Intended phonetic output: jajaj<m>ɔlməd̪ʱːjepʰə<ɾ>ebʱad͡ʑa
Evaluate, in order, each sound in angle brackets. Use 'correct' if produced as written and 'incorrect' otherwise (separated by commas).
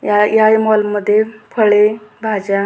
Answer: correct, incorrect